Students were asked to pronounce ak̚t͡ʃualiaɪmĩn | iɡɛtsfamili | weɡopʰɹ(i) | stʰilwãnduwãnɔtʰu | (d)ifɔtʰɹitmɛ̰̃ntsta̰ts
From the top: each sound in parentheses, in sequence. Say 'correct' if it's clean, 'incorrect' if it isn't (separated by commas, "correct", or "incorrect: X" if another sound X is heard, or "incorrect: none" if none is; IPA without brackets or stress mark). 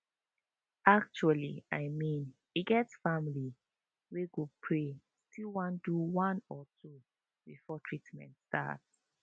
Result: incorrect: e, incorrect: b